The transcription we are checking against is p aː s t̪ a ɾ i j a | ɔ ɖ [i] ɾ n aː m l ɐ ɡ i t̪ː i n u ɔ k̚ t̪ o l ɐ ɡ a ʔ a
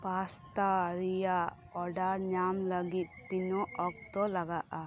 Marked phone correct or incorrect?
incorrect